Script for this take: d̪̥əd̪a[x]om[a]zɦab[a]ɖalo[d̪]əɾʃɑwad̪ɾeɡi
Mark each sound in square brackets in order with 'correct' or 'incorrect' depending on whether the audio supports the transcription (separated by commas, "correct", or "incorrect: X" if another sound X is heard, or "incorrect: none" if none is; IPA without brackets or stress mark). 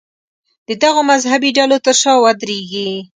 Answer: incorrect: ɣ, correct, incorrect: i, incorrect: t̪